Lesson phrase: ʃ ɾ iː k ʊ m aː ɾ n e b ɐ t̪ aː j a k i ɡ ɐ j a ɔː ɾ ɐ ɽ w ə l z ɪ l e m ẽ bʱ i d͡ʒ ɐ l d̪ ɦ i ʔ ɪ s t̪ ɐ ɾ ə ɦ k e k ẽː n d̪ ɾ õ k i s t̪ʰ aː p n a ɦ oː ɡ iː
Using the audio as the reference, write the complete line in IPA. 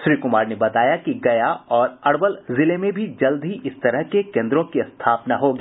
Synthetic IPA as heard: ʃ ɾ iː k ʊ m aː ɾ n e b ɐ t̪ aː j a k i ɡ ɐ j a ɔː ɾ ɐ ɽ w ə l z ɪ l e m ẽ bʱ i d͡ʒ ɐ l d̪ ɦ i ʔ ɪ s t̪ ɐ ɾ ə ɦ k e k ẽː n d̪ ɾ õ k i s t̪ʰ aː p n a ɦ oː ɡ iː